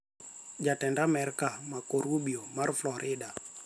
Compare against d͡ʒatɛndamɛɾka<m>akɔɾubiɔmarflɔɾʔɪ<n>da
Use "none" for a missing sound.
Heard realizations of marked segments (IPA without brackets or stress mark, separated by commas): m, none